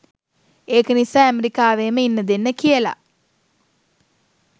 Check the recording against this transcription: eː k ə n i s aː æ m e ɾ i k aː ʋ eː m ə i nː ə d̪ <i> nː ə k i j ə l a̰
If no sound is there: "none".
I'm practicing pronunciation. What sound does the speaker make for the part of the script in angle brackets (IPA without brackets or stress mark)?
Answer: e